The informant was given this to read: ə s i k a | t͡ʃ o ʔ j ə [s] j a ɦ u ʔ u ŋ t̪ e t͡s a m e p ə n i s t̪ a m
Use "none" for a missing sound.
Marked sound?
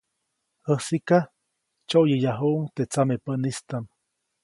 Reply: none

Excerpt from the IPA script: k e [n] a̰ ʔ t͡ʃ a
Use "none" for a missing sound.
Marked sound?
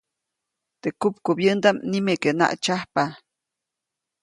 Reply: n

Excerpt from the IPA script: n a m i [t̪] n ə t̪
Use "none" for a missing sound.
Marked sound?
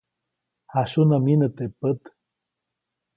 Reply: none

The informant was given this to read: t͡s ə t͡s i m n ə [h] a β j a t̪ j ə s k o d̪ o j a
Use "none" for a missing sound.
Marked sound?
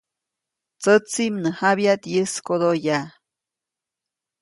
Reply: h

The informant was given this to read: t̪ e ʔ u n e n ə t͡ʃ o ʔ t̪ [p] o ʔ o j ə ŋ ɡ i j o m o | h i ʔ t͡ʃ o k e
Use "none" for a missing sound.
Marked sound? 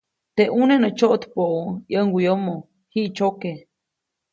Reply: p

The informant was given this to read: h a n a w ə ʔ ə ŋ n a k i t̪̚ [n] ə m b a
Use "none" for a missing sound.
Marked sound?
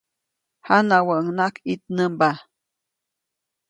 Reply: n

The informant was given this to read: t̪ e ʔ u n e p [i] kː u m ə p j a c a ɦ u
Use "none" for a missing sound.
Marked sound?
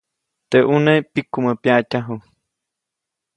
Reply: i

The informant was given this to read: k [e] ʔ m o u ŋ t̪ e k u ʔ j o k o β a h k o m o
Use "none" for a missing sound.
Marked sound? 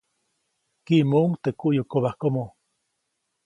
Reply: i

